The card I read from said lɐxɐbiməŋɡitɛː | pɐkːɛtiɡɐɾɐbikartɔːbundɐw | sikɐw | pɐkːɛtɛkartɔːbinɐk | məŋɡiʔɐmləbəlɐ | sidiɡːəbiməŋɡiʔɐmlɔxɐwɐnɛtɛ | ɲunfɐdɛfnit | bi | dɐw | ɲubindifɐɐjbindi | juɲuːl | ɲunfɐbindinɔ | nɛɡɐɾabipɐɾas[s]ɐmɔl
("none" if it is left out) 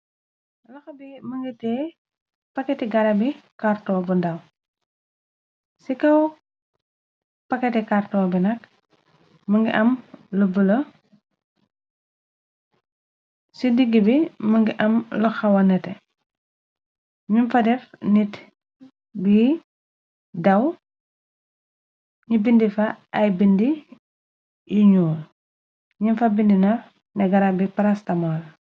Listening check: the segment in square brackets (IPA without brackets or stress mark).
t